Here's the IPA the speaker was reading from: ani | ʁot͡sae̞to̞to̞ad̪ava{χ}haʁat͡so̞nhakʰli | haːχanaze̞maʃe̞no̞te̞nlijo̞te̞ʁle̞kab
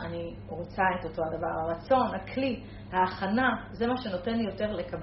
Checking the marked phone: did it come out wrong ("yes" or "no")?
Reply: yes